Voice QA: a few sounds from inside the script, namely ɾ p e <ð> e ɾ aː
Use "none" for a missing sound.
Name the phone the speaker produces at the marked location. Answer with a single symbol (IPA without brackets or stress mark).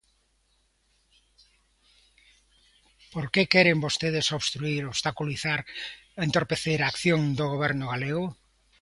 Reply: θ